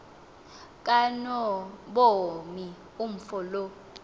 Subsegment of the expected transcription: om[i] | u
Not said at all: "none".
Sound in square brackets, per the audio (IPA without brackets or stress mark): i